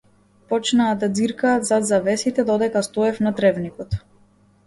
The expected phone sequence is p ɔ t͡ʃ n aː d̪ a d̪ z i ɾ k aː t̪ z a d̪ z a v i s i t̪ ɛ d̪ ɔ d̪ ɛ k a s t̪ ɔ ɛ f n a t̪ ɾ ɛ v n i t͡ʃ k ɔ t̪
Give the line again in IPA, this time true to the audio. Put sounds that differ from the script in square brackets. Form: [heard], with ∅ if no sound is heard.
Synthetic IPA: p ɔ t͡ʃ n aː d̪ a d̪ z i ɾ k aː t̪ z a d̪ z a v [ɛ] s i t̪ ɛ d̪ ɔ d̪ ɛ k a s t̪ ɔ ɛ f n a t̪ ɾ ɛ v n i [∅] k ɔ t̪